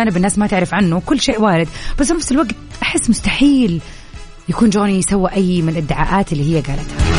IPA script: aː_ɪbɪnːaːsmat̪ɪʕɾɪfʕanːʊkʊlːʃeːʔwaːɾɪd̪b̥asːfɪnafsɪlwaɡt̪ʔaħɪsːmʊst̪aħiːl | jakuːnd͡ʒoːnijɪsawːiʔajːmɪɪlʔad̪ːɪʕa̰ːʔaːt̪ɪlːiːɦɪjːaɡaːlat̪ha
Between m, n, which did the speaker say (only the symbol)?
n